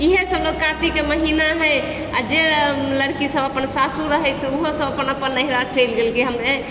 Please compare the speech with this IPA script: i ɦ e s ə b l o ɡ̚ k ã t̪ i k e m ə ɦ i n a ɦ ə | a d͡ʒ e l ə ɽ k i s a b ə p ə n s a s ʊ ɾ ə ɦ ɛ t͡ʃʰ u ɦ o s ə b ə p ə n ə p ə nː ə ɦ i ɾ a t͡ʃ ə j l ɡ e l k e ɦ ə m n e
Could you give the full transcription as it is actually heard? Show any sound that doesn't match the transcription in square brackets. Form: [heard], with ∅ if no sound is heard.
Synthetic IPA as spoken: i ɦ e s ə b l o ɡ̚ k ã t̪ i k e m ə ɦ i n a ɦ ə | a d͡ʒ e l ə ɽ k i s [ə] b ə p ə n s a s [u] ɾ ə ɦ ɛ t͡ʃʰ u ɦ o s ə b ə p ə n ə p ə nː ə ɦ i ɾ a t͡ʃ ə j l ɡ e l k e ɦ ə m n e